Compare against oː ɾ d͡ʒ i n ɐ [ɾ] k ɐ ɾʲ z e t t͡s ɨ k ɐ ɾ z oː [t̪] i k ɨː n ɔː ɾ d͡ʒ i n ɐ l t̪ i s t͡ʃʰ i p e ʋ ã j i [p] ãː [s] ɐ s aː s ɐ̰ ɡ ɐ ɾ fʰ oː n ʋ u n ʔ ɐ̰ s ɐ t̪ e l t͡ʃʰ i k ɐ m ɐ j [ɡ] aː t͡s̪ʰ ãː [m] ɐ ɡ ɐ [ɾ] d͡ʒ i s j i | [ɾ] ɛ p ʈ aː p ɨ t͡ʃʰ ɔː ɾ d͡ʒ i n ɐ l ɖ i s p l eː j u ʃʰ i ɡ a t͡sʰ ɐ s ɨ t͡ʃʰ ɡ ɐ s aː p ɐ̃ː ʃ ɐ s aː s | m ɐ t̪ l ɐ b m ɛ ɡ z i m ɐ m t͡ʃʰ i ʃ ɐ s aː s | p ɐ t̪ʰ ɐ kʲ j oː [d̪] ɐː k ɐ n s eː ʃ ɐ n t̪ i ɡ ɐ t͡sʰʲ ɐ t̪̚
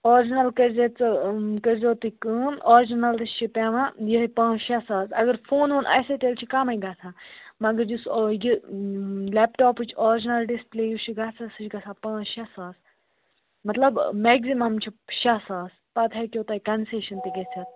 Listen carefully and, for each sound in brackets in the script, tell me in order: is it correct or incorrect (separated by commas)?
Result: incorrect, correct, correct, incorrect, correct, correct, correct, incorrect, incorrect